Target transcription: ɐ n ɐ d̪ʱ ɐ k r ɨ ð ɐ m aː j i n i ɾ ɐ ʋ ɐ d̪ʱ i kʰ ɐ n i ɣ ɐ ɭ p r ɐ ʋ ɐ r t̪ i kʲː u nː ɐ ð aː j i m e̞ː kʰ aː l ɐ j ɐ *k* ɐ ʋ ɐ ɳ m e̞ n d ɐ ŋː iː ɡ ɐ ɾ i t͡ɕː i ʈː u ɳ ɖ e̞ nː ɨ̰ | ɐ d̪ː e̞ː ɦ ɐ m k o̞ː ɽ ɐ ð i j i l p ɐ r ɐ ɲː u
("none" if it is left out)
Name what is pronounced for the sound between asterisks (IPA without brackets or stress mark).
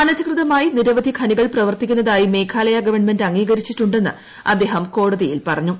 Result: ɡ